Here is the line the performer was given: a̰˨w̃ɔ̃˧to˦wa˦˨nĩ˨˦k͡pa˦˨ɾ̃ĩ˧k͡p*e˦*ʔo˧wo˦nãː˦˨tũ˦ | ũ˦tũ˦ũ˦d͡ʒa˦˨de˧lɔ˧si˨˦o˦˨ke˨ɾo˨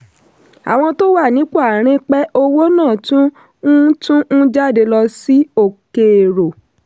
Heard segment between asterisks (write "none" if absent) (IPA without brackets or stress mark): ɛ˦